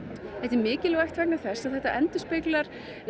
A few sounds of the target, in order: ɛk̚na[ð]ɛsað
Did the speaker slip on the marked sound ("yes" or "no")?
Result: yes